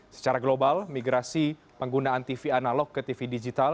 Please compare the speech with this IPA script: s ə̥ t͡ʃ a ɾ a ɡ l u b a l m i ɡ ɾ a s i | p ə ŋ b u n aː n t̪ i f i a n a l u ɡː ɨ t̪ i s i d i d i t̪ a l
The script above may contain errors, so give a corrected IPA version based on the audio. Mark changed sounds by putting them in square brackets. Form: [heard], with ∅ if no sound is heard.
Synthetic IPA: s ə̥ t͡ʃ a ɾ a ɡ l [o] b a l m i ɡ ɾ a s i | p ə ŋ [ɡ] u n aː n t̪ i f i a n a l [ɔ] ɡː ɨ t̪ i [f] i d i [d͡ʒ] i t̪ a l